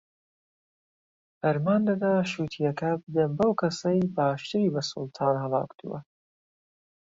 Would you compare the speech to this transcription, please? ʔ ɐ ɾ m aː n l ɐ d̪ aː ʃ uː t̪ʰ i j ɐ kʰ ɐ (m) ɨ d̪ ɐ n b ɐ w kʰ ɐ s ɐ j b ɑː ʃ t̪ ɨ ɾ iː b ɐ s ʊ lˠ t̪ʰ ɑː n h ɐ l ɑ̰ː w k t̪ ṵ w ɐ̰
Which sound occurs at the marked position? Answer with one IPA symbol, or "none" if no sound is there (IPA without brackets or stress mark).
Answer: b